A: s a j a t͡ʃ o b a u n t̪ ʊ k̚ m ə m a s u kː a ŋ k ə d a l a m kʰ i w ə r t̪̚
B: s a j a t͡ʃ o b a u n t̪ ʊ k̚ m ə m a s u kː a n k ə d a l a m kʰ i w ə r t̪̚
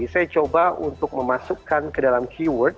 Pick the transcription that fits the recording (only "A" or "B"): B